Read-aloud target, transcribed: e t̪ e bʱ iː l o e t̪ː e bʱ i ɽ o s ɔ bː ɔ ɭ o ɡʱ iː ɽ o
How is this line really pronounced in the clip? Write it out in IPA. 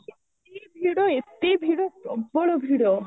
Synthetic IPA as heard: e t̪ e bʱ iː ɽ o e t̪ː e bʱ i ɽ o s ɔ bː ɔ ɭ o bʱ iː ɽ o